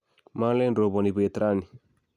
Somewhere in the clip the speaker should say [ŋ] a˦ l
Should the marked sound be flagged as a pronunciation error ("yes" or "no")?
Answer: yes